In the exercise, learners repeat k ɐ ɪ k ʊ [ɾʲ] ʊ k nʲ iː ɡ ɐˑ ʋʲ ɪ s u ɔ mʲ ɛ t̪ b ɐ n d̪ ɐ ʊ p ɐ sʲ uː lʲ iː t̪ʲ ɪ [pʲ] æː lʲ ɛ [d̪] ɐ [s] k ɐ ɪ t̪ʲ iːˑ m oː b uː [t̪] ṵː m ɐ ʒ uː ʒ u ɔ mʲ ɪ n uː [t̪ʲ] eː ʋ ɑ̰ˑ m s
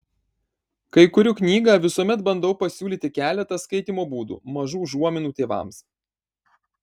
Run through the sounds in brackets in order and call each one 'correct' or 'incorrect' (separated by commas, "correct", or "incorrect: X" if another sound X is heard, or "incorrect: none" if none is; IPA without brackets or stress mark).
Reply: correct, incorrect: kʲ, incorrect: t̪, correct, incorrect: d̪, correct